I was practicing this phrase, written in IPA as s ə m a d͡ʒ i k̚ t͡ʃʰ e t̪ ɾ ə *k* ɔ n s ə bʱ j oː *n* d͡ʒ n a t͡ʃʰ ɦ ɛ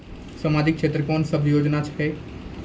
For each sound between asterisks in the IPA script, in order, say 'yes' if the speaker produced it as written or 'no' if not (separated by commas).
yes, no